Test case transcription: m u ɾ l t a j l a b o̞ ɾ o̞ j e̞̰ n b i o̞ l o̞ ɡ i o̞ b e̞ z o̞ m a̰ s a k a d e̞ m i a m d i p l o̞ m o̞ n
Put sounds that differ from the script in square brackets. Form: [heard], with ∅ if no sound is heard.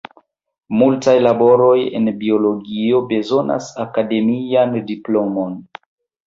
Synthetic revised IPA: m u [∅] l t a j l a b o̞ ɾ o̞ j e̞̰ n b i o̞ l o̞ ɡ i o̞ b e̞ z o̞ [n] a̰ s a k a d e̞ m i a [n] d i p l o̞ m o̞ n